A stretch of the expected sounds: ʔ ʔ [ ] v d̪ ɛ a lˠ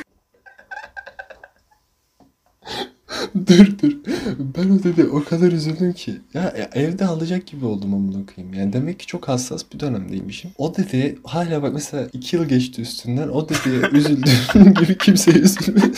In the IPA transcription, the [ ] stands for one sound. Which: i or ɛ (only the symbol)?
ɛ